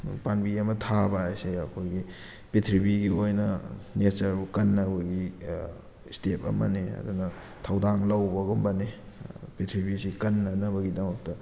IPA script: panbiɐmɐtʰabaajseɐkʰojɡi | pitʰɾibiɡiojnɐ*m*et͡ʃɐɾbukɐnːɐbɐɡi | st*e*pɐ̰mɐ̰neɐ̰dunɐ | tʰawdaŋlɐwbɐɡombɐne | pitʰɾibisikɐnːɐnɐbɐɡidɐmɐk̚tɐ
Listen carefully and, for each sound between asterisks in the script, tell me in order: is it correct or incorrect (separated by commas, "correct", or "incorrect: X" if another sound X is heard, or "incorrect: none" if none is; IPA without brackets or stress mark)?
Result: incorrect: n, correct